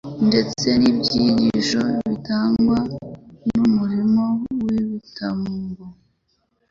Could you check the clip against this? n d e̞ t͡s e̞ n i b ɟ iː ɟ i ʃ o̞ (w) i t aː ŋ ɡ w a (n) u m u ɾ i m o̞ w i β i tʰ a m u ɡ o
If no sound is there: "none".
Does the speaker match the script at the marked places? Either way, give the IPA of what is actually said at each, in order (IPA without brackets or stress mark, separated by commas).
β, n